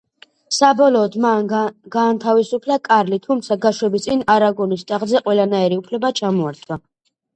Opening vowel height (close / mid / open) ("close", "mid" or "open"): open